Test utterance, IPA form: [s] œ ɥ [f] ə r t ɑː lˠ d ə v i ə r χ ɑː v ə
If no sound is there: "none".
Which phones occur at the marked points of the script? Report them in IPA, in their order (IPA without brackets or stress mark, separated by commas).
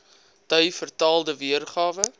t, f